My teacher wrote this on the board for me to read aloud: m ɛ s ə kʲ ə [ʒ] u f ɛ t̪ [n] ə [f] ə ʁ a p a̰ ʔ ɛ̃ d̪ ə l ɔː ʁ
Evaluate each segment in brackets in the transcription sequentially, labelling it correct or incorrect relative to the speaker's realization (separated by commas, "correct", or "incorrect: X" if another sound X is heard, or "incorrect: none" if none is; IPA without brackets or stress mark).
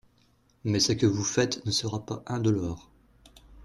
incorrect: v, correct, incorrect: s